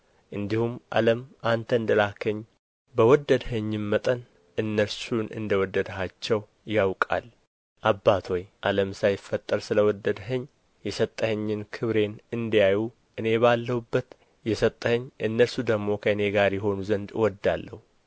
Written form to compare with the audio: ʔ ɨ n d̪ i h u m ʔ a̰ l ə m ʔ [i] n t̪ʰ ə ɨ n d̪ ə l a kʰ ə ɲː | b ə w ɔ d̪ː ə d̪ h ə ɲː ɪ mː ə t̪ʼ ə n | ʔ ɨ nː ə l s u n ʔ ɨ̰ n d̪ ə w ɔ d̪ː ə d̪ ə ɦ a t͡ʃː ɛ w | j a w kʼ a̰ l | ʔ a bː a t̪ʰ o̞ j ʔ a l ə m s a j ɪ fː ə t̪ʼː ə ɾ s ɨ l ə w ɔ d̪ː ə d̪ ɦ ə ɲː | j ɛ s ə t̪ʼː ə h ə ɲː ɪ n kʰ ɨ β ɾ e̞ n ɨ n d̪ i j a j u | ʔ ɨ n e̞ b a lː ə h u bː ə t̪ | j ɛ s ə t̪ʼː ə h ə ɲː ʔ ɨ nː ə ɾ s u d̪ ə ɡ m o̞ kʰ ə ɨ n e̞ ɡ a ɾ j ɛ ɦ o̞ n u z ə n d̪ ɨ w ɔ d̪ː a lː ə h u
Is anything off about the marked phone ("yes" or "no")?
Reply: yes